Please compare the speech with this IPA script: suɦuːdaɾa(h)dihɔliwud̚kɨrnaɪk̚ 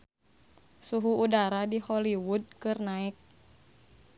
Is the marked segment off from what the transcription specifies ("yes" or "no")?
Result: yes